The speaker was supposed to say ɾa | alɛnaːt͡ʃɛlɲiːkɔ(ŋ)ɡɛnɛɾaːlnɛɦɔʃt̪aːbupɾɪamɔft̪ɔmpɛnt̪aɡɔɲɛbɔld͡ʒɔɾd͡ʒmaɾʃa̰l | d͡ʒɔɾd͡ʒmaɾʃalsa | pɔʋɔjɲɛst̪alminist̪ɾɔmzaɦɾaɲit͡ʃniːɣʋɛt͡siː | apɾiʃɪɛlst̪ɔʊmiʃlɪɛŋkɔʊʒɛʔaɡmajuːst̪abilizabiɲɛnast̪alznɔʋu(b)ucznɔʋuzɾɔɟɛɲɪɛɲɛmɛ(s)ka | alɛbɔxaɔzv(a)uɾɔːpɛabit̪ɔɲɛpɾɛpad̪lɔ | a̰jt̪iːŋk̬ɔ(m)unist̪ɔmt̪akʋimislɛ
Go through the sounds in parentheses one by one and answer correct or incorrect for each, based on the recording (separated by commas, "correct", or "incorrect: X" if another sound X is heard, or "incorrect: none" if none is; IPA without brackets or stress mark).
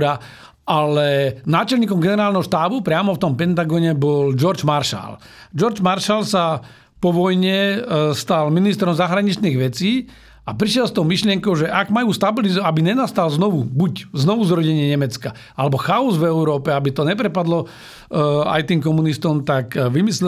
incorrect: m, correct, incorrect: t͡s, incorrect: ɛ, correct